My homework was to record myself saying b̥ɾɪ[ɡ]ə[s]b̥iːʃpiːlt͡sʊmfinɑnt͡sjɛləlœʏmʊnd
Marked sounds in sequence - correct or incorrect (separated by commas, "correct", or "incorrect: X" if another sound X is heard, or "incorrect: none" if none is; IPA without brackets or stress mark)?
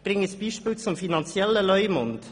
incorrect: ŋ, correct